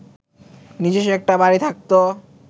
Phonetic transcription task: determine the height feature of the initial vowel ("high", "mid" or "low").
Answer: high